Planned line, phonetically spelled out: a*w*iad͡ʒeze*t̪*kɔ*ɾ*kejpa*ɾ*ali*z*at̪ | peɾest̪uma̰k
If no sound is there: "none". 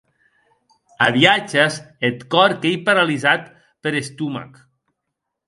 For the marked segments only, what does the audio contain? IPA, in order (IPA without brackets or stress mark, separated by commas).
β, t̪, ɾ, ɾ, z